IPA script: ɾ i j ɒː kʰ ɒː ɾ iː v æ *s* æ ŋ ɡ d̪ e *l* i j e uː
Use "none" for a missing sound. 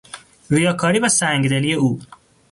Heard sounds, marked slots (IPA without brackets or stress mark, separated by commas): s, l